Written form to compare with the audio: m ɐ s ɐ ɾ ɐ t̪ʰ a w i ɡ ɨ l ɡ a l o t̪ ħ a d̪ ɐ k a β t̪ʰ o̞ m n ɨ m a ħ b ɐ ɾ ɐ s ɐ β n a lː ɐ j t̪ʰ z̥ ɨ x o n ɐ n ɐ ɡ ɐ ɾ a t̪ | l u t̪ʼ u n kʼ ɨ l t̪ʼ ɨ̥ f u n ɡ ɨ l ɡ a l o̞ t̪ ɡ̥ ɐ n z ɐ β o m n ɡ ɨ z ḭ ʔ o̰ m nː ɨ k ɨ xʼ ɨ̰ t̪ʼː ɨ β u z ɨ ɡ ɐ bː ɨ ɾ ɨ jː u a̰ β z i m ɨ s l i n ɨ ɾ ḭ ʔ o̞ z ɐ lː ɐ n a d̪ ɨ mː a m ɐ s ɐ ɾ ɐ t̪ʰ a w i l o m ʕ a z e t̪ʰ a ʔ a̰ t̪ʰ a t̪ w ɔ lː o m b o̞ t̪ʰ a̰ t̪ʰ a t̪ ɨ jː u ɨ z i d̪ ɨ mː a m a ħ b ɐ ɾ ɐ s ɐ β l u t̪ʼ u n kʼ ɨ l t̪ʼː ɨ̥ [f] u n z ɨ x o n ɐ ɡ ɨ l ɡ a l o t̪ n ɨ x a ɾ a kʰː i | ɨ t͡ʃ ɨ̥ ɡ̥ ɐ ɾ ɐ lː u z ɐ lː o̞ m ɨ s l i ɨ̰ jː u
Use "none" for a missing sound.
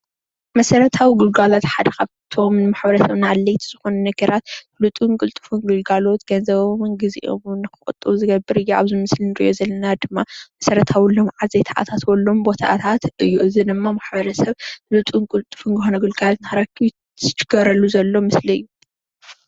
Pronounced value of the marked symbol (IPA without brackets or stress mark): f